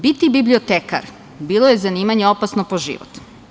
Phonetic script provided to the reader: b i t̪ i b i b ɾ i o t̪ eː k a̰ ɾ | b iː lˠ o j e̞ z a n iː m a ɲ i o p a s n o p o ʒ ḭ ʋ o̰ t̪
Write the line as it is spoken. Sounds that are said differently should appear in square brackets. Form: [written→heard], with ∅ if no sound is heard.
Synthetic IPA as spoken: b i t̪ i b i b [ɾ→l] i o t̪ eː k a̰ ɾ | b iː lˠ o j e̞ z a n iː m a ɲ [i→e] o p a s n o p o ʒ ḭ ʋ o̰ t̪